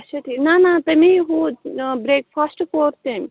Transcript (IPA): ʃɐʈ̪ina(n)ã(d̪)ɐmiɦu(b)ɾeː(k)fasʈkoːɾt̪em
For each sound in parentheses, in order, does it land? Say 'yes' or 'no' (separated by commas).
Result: yes, no, yes, yes